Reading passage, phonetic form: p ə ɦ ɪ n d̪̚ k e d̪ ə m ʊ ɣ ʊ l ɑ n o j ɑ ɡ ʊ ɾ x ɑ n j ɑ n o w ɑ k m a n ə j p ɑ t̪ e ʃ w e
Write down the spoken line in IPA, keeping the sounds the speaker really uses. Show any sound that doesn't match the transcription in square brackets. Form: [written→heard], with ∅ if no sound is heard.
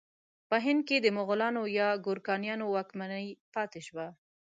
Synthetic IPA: p ə ɦ ɪ n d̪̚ k e d̪ ə m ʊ ɣ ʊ l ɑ n o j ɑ ɡ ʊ ɾ [x→k] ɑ n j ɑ n o w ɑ k m a n ə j p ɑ t̪ e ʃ w [e→a]